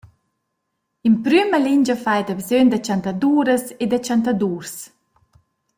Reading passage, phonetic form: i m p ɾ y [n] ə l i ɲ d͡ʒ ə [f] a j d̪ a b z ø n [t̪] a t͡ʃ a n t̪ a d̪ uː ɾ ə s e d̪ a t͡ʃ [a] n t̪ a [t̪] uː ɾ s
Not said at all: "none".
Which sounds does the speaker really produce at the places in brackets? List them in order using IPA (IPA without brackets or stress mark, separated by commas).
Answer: m, f, d̪, a, d̪